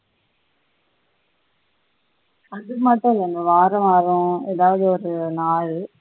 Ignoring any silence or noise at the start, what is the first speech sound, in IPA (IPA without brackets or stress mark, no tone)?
ɐ